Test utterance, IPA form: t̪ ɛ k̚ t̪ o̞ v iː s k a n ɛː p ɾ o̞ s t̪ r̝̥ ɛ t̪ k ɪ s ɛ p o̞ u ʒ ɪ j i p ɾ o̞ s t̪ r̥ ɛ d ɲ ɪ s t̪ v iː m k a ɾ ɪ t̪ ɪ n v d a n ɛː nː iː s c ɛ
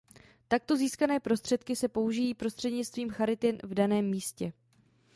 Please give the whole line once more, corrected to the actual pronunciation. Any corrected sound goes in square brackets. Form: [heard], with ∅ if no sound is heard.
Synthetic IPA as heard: t̪ [a] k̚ t̪ o̞ [z] iː s k a n ɛː p ɾ o̞ s t̪ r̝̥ ɛ t̪ k ɪ s ɛ p o̞ u ʒ ɪ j [iː] p ɾ o̞ s t̪ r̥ ɛ d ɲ ɪ [t͡s] t̪ v iː m [x] a ɾ ɪ t̪ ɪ n v d a n ɛː [mː] iː s c ɛ